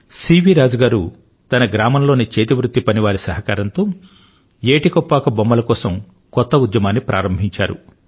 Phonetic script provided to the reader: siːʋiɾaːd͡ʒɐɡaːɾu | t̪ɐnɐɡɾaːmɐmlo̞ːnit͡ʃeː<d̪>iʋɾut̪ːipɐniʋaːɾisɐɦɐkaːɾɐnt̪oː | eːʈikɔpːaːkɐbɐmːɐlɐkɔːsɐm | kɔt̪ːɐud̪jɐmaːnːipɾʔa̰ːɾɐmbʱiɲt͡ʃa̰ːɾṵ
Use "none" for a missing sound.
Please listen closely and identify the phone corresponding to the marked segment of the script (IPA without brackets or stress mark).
t̪